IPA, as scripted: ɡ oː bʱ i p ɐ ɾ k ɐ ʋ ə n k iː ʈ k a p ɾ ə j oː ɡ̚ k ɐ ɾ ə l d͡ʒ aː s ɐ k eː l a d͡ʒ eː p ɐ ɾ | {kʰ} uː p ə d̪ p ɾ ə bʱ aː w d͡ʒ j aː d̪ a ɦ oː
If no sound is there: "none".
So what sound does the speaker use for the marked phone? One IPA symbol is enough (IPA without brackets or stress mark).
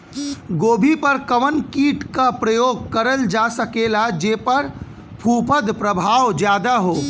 pʰ